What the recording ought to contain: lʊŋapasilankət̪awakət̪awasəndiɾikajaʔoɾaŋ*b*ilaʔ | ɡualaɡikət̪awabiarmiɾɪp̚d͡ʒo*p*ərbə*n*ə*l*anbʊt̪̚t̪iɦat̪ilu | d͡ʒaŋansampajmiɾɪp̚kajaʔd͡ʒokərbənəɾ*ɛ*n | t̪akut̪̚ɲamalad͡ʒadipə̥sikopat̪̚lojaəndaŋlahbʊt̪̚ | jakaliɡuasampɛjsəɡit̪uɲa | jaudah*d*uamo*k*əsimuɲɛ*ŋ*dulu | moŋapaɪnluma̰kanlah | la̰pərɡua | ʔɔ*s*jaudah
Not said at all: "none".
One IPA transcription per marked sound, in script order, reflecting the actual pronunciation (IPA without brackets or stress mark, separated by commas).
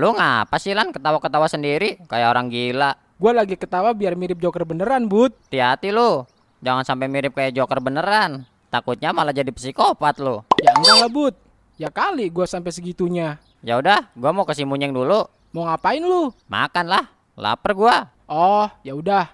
ɡ, k, n, ɾ, a, ɡ, k, ŋ, h